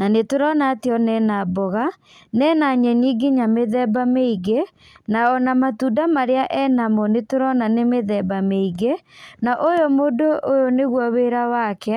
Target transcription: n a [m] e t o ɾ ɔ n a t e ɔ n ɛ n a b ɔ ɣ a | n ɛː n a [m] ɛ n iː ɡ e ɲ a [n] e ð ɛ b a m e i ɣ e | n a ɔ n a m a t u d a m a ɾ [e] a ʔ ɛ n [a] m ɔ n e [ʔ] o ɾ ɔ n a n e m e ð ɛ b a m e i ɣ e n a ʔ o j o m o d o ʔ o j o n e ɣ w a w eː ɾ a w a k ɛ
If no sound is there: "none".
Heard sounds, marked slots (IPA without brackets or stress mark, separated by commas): n, ɲ, m, e, a, t